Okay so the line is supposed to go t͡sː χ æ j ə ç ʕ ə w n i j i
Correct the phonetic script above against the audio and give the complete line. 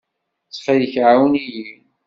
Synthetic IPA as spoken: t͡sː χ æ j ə ç ʕ a w n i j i